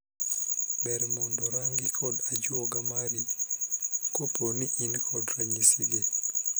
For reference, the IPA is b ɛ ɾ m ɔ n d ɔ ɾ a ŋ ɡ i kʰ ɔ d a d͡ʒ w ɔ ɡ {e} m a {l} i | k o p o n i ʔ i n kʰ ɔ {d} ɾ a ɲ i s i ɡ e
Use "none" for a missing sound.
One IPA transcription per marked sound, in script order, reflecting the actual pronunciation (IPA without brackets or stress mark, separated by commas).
a, ɾ, d